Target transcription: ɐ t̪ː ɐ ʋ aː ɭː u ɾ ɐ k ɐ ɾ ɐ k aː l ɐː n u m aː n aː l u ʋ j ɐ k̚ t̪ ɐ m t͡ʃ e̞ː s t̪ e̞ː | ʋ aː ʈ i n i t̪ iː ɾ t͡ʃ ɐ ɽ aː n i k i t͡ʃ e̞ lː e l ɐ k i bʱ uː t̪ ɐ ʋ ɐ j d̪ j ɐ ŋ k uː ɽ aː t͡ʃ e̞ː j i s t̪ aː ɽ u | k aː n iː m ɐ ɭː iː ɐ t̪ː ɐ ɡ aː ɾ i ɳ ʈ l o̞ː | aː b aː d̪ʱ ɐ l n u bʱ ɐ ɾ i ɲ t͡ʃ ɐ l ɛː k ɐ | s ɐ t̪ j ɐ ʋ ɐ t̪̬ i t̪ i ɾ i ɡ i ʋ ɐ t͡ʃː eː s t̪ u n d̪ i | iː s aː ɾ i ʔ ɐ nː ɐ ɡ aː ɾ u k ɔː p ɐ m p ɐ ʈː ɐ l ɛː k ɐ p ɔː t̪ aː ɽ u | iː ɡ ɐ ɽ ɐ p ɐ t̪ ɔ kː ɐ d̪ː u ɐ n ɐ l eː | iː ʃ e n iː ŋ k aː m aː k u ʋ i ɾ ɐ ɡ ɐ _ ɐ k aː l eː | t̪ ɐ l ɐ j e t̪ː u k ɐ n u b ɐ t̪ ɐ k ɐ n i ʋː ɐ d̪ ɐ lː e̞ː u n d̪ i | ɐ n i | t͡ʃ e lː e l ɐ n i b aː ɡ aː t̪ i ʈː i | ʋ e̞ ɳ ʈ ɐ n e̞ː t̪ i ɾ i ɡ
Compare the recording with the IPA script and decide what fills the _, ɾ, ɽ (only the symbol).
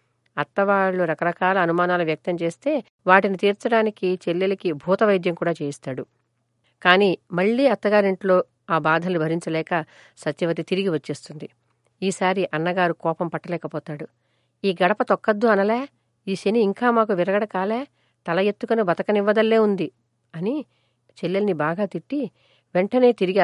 ɽ